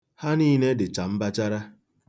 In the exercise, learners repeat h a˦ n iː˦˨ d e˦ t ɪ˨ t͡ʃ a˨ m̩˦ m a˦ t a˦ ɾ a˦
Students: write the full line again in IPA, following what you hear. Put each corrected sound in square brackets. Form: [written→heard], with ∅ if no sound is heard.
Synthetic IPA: h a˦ n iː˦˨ [d→n] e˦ [t→d] ɪ˨ t͡ʃ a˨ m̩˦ [m→b] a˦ [t→t͡ʃ] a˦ ɾ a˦